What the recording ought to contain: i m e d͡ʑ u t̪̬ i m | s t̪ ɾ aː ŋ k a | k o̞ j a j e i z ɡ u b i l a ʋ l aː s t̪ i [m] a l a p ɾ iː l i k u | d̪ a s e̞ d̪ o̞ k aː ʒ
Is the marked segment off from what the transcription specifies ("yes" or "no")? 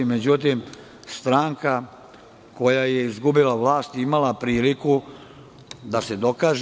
no